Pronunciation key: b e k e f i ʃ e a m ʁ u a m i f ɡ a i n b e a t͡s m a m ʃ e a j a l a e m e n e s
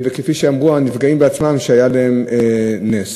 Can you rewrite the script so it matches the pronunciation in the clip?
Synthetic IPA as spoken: v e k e f i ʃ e a m ʁ u a n i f ɡ a i m b e a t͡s m a m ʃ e a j a l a e m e n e s